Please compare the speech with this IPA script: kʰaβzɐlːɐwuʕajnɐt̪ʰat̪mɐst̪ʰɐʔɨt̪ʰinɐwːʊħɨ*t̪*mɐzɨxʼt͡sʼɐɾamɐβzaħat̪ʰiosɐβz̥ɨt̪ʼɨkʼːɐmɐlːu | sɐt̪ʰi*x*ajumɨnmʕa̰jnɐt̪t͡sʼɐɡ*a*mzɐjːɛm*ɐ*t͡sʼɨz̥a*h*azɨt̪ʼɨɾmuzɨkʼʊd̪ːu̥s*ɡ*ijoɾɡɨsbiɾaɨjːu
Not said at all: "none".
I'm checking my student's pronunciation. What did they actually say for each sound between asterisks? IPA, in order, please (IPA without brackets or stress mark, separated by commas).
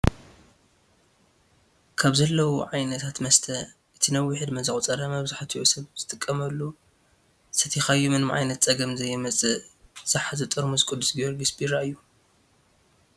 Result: d̪, x, ɐ, ɐ, ħ, ɡ